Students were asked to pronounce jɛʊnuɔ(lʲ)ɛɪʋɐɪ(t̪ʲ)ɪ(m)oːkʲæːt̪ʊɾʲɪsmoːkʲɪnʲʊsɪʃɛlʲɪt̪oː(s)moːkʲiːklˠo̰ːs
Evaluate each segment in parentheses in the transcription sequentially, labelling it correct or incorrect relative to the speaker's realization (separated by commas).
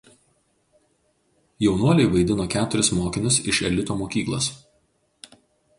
correct, incorrect, incorrect, incorrect